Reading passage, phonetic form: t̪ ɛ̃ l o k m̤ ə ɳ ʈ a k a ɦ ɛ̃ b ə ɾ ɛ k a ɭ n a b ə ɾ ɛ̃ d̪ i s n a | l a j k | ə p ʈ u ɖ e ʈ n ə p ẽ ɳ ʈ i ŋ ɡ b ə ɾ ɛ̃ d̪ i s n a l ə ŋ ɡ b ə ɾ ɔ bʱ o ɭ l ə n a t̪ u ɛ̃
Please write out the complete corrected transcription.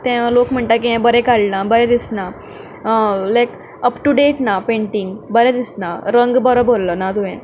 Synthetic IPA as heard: t̪ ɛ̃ l o k m̤ ə ɳ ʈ a k i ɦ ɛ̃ b ə ɾ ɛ k a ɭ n a b ə ɾ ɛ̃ d̪ i s n a | l a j k | ə p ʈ u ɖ e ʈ n a p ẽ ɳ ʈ i ŋ ɡ b ə ɾ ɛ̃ d̪ i s n a ɾ ə ŋ ɡ b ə ɾ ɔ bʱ o l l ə n a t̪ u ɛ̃